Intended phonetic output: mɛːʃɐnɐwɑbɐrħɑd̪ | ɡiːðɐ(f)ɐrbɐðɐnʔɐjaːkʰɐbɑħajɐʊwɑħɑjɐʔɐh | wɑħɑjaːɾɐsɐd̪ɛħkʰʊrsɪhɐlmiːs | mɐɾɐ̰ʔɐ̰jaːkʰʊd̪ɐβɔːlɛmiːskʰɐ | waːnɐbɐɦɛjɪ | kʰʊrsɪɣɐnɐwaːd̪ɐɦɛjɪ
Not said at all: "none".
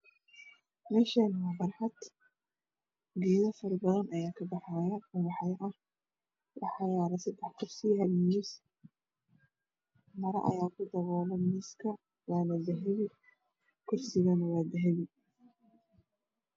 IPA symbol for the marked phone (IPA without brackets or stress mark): f